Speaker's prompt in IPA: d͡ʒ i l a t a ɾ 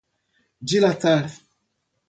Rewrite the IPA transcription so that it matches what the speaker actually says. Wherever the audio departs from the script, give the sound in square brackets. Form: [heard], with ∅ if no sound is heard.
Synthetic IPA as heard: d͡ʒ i l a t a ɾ

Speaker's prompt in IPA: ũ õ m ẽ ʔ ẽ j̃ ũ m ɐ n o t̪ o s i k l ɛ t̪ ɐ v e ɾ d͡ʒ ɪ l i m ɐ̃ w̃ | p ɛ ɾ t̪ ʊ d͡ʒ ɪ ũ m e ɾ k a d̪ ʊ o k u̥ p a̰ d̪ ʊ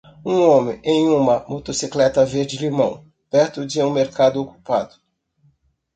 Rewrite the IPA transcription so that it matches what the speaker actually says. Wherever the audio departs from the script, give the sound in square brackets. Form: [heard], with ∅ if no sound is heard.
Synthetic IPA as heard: ũ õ m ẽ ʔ ẽ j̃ ũ m ɐ [m] o t̪ o s i k l ɛ t̪ ɐ v e ɾ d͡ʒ ɪ l i m ɐ̃ w̃ | p ɛ ɾ t̪ ʊ d͡ʒ ɪ ũ m e ɾ k a d̪ ʊ o k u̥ p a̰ d̪ ʊ

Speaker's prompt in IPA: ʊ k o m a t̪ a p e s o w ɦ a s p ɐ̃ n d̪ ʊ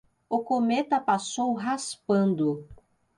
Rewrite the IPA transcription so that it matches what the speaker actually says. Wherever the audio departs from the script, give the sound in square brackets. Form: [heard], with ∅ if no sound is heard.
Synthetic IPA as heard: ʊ k o m [e] t̪ [ɐ] p [a] s o w ɦ a s p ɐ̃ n d̪ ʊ

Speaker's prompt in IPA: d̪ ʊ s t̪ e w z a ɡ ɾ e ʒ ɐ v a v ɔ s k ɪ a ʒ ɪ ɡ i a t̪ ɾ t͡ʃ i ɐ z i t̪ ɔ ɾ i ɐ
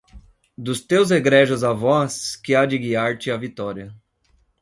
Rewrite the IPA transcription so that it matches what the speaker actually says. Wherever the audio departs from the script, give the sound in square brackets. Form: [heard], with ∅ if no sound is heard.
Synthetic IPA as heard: d̪ ʊ s t̪ e w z [e] ɡ ɾ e ʒ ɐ [z] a v ɔ s k ɪ a [d͡ʒ] ɪ ɡ i a [∅] ɾ t͡ʃ [ɪ] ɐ [v] i t̪ ɔ ɾ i ɐ

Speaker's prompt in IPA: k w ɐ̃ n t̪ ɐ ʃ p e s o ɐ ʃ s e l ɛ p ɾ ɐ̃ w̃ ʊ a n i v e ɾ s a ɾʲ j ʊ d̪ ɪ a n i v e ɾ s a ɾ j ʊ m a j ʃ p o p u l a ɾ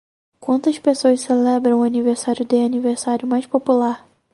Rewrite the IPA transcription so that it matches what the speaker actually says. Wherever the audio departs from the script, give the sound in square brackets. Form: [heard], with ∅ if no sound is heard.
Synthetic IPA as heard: k w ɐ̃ n t̪ ɐ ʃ p e s o ɐ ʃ s e l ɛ [b] ɾ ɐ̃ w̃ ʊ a n i v e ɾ s a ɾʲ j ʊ d̪ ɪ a n i v e ɾ s a ɾ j ʊ m a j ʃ p o p u l a ɾ

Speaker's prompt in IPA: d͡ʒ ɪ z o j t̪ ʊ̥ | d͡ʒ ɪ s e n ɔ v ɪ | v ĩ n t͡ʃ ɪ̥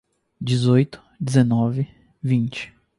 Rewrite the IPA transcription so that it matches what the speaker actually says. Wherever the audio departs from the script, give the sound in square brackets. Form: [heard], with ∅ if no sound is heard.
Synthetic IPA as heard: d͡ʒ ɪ z o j t̪ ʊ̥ | d͡ʒ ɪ [z] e n ɔ v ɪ | v ĩ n t͡ʃ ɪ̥

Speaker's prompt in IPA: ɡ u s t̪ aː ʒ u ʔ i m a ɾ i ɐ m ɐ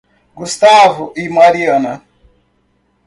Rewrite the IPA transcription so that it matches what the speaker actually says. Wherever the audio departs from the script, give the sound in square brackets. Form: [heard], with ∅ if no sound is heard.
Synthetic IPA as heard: ɡ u s t̪ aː [v] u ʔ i m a ɾ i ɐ [n] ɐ

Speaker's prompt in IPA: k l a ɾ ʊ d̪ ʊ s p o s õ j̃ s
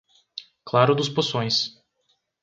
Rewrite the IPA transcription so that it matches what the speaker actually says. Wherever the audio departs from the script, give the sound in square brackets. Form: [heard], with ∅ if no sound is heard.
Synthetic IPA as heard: k l a ɾ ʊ d̪ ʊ s p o s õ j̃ s

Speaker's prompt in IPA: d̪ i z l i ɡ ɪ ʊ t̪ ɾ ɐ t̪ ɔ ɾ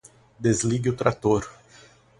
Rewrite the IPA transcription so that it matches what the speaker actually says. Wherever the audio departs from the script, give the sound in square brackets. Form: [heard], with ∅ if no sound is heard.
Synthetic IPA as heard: d̪ [e] z l i ɡ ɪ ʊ t̪ ɾ [a] t̪ [o] ɾ

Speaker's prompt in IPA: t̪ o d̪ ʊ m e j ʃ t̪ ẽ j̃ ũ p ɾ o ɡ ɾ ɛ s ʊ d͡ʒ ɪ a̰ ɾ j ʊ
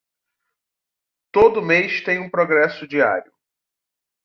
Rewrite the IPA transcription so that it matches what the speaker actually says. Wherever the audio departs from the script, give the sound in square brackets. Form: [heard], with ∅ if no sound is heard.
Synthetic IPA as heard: t̪ o d̪ ʊ m e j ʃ t̪ ẽ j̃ ũ p ɾ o ɡ ɾ ɛ s ʊ d͡ʒ [i] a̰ ɾ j ʊ

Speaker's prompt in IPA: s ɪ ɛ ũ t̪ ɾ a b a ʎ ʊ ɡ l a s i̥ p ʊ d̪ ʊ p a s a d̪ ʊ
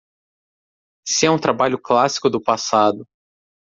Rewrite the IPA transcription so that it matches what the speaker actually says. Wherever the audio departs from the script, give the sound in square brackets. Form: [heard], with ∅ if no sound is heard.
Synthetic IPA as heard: s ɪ ɛ ũ t̪ ɾ a b a ʎ ʊ [k] l a s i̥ [k] ʊ d̪ ʊ p a s a d̪ ʊ

